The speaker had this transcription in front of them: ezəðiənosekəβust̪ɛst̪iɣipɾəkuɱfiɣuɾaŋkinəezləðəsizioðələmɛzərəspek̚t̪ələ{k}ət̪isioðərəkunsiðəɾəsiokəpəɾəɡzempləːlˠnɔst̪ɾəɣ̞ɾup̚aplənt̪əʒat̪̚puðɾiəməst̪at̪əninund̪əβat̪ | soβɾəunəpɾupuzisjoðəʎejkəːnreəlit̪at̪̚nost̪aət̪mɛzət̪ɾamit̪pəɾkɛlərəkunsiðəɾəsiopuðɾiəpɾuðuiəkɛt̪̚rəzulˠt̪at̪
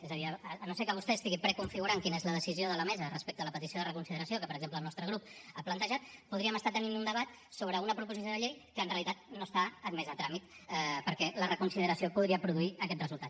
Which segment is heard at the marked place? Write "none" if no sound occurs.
p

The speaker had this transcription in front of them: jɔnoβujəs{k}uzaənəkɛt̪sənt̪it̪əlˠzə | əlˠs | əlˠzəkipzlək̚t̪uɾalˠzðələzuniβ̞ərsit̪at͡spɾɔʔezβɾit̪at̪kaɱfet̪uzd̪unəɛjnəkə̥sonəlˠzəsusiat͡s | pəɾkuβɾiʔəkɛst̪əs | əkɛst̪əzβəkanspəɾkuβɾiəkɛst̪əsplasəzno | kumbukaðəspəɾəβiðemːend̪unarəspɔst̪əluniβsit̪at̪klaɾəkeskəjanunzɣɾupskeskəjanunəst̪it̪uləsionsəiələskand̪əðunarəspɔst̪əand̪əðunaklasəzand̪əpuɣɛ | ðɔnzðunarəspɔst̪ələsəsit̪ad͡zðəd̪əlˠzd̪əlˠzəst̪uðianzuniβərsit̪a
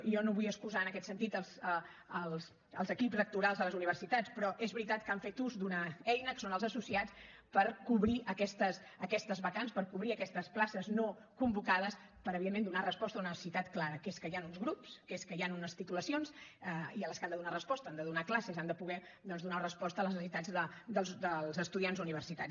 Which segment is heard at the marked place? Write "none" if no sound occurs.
k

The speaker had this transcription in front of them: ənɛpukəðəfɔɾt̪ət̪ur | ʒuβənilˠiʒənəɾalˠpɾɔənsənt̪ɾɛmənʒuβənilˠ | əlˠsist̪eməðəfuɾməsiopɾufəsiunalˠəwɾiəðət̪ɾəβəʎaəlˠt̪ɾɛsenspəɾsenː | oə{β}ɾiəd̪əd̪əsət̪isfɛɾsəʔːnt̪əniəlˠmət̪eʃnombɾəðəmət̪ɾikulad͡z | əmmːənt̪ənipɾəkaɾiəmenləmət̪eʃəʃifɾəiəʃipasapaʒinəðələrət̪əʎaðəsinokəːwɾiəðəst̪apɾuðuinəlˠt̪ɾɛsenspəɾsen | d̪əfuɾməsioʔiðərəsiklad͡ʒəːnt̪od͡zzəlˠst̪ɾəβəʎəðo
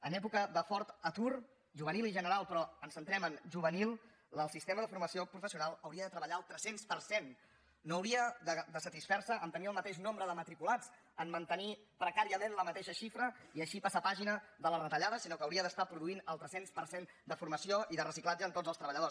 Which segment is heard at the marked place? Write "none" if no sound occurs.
w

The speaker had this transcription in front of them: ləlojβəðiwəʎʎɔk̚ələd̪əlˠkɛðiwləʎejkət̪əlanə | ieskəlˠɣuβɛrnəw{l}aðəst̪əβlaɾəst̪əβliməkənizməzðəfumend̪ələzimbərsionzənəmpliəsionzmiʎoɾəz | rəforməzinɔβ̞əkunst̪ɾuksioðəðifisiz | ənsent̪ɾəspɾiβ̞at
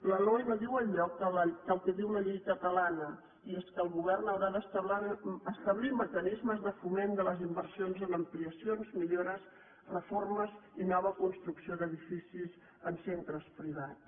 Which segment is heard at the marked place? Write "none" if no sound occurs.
ɾ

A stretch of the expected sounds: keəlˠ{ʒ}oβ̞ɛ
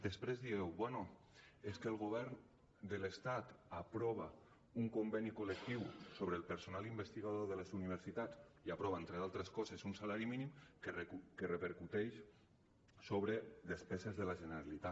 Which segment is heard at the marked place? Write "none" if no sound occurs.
ɣ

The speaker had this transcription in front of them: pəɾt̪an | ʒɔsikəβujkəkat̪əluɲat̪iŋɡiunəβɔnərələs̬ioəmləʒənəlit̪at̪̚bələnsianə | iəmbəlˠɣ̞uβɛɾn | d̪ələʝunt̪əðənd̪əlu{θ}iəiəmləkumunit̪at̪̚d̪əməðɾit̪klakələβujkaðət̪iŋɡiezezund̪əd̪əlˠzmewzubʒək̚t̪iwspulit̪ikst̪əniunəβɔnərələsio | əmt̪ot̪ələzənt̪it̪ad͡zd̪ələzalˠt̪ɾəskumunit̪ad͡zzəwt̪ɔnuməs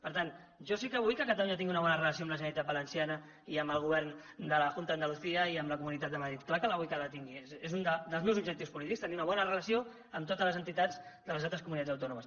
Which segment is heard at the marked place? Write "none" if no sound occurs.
θ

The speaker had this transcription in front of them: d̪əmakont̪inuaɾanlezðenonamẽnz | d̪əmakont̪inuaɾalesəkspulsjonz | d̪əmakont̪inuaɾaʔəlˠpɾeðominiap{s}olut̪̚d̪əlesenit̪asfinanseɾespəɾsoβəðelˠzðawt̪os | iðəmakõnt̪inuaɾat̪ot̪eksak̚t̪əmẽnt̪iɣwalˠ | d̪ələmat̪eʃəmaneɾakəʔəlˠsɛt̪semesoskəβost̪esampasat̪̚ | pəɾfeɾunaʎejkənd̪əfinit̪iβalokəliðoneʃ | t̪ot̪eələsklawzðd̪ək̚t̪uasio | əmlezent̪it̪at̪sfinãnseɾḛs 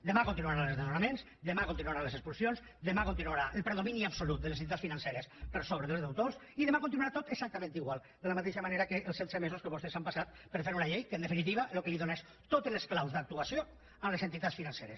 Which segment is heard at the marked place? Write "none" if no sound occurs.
s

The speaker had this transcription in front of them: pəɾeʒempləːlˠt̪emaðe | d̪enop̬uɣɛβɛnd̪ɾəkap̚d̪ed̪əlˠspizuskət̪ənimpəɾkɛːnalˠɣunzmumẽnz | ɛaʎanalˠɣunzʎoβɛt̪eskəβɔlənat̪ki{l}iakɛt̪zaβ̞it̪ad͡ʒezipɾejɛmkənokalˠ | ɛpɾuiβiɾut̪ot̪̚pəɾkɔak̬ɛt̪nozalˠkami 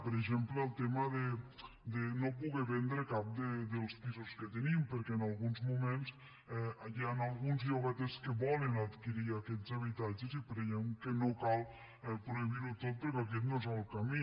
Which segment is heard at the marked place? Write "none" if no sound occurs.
ɾ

